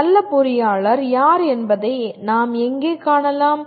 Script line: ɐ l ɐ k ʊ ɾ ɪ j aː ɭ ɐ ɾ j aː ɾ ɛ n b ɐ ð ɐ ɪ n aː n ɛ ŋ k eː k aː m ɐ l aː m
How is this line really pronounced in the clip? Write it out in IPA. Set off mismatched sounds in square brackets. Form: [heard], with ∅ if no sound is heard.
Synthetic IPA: ɐ [lː] ɐ [p] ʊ ɾ ɪ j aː ɭ ɐ ɾ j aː ɾ ɛ n b ɐ ð ɐ ɪ n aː [m] ɛ ŋ [ɡ] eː k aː [ɳ] ɐ l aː m